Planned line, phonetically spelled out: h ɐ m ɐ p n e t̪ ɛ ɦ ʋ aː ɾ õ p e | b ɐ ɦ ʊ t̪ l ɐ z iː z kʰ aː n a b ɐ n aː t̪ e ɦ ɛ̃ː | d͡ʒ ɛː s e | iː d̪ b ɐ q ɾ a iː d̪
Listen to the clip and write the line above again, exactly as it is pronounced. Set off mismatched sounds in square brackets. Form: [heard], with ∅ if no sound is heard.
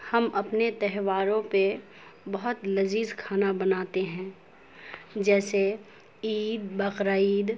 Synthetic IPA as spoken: h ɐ m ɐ p n e t̪ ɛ ɦ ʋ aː ɾ õ p e | b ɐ ɦ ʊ t̪ l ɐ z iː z kʰ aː n a b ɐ n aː t̪ e ɦ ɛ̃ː | d͡ʒ ɛː s e | iː d̪ b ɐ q ɾ a iː d̪